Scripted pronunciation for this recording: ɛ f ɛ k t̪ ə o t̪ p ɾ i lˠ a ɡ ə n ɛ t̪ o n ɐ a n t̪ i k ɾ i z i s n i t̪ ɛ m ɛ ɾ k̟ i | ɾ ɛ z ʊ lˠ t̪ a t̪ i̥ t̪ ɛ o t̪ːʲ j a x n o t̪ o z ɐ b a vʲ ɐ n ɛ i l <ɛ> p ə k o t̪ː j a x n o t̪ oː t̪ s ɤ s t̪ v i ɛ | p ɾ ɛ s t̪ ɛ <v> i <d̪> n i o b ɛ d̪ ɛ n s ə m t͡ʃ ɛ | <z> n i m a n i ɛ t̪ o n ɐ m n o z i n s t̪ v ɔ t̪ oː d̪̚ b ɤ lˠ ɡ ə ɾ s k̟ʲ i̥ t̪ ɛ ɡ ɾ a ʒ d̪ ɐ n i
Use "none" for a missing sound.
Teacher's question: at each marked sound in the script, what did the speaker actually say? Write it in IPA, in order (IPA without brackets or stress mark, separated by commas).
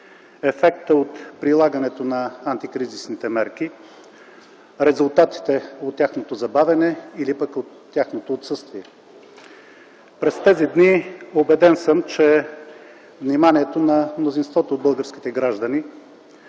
i, z, d̪, v